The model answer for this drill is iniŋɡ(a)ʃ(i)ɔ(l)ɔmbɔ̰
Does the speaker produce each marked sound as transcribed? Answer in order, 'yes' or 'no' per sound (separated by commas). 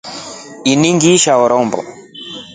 no, no, no